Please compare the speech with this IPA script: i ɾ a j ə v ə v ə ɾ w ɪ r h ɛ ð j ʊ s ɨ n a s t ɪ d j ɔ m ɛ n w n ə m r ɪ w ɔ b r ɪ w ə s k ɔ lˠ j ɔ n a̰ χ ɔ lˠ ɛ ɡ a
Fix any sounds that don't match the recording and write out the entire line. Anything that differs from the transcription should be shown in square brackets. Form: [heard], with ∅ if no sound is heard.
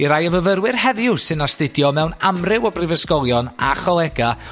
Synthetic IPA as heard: i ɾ a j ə v ə v ə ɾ w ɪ r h ɛ ð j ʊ s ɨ n a s t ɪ d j ɔ m ɛ [∅] w n [a] m r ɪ w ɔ b r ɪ [v] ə s k ɔ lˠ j ɔ n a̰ χ ɔ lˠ ɛ ɡ a